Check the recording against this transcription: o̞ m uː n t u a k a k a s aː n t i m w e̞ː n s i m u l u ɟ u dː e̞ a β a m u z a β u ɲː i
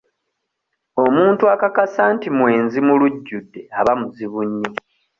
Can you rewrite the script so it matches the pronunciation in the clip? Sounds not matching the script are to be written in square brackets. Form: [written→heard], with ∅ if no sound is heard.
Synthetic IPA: o̞ m uː n t u a k a k a s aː n t i m w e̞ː n [s→z] i m u l u [ɟ→ɟː] u dː e̞ a β a m u z [a→i] β u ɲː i